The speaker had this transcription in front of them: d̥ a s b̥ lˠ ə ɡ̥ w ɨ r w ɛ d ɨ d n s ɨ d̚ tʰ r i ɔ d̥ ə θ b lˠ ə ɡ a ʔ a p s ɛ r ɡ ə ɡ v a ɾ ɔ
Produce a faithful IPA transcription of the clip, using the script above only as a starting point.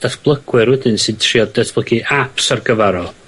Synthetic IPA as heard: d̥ a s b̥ lˠ ə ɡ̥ w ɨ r w ɛ d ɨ n s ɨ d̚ tʰ r i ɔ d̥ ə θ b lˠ ə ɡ i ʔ a p s a r ɡ ə v a ɾ ɔ